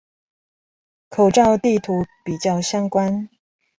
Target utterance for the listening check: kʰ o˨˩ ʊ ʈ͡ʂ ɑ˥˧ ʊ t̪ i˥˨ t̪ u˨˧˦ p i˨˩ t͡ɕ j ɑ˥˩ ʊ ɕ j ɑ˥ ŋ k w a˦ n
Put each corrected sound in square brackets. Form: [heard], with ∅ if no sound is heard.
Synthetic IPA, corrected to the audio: kʰ o˨˩ ʊ ʈ͡ʂ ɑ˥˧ ʊ t̪ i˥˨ [t̪ʰ] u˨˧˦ p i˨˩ t͡ɕ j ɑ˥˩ ʊ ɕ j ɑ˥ ŋ k w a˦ n